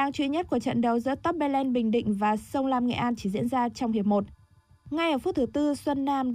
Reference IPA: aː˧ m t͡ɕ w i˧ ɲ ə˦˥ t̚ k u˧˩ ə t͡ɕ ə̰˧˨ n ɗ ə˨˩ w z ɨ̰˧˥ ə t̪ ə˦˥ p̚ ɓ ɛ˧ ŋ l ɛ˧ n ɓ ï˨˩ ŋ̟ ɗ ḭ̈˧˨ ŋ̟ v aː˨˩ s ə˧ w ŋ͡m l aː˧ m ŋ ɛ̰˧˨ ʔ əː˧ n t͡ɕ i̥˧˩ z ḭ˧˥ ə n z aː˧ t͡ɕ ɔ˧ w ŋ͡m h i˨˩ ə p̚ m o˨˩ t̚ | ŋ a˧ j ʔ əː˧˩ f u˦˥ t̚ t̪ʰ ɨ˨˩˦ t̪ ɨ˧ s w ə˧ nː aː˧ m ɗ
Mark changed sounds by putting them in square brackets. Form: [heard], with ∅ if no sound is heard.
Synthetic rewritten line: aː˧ [ŋ] t͡ɕ w i˧ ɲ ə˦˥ t̚ k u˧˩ ə t͡ɕ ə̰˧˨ n ɗ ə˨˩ w z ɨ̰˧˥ ə t̪ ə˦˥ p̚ ɓ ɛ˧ [∅] l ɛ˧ n ɓ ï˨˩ ŋ̟ ɗ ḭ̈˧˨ ŋ̟ v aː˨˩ s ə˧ w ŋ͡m l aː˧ m ŋ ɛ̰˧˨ ʔ [aː˧] n t͡ɕ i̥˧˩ z ḭ˧˥ ə n z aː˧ t͡ɕ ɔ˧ w ŋ͡m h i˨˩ ə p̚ m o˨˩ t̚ | ŋ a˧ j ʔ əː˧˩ f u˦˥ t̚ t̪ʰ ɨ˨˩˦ t̪ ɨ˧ s w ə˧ nː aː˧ m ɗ